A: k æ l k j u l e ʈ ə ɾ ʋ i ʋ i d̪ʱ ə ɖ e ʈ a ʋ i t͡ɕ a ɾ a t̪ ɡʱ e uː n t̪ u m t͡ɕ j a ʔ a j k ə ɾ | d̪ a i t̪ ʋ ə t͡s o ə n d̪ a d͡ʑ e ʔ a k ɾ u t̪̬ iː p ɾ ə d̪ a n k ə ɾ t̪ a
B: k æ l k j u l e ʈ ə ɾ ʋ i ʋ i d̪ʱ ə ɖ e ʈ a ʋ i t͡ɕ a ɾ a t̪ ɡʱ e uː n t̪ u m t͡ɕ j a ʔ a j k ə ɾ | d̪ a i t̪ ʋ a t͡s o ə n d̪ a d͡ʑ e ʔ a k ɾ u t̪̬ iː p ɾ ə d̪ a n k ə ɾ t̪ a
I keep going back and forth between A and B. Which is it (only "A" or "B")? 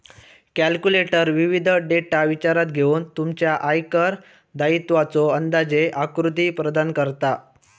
B